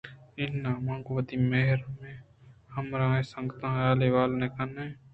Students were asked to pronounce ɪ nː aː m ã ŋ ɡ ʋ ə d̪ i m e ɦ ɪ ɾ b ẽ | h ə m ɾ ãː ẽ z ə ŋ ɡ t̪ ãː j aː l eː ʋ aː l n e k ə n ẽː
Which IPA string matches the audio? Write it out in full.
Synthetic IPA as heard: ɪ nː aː m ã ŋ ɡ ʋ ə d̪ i m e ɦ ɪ ɾ m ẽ | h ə m ɾ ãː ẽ s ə ŋ ɡ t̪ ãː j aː l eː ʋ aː l n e k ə n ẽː